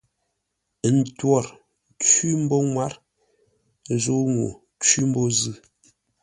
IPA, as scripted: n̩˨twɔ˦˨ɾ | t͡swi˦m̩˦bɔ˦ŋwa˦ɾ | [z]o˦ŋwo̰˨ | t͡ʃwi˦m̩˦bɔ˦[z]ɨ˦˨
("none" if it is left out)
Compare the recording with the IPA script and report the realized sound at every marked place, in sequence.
z, z

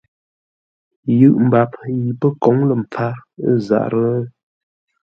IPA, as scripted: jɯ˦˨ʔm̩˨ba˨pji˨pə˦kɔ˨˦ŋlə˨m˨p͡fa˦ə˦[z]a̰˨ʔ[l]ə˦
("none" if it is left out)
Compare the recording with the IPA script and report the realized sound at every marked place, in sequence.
z, ɾ

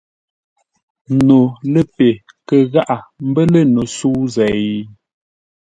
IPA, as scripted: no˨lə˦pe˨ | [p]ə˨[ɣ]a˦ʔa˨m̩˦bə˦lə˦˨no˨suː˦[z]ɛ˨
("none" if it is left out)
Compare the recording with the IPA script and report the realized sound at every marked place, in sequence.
k, ɣ, z

